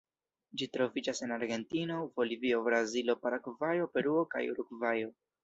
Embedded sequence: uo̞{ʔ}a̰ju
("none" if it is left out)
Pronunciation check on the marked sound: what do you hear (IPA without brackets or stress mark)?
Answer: k